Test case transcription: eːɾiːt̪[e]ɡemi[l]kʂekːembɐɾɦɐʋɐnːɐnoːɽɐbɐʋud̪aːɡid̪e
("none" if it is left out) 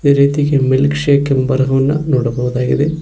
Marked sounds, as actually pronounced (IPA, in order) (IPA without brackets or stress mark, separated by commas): i, l